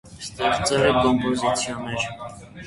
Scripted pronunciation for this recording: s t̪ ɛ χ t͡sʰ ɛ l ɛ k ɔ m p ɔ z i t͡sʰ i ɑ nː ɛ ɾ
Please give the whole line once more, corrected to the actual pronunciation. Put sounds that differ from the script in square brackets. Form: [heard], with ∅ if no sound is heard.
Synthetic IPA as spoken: s t̪ ɛ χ [t͡s] ɛ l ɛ k ɔ m p ɔ z i t͡sʰ [j] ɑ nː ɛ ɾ